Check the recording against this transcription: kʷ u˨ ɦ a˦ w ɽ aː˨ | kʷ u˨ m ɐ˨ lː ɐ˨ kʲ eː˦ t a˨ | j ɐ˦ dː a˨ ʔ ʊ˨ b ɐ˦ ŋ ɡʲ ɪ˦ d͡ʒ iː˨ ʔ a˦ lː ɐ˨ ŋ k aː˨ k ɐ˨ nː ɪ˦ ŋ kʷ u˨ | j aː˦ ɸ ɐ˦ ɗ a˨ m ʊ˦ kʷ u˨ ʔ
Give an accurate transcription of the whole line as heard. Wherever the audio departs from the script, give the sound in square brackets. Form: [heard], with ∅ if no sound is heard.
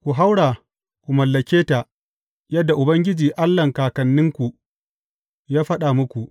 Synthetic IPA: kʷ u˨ ɦ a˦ w ɽ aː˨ | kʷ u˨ m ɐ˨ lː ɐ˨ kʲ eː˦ t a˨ | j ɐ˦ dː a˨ ʔ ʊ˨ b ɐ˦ ŋ ɡʲ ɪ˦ d͡ʒ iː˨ ʔ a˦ lː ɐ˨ ŋ k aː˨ k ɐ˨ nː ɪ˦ ŋ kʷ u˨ | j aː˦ ɸ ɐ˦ ɗ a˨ m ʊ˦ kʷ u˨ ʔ